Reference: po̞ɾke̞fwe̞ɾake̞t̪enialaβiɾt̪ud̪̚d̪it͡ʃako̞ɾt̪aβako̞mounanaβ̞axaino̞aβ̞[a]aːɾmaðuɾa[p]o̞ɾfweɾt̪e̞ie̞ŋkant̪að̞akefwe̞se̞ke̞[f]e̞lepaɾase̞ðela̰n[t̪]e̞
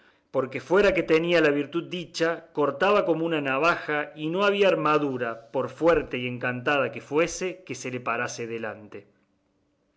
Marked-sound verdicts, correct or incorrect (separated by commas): incorrect, correct, incorrect, correct